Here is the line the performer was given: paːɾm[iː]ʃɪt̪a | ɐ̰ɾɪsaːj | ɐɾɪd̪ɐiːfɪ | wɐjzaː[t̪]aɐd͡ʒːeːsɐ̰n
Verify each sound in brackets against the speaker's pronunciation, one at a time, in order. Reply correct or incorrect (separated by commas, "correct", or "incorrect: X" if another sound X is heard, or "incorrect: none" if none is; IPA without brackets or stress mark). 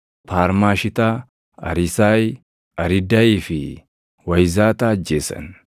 incorrect: aː, correct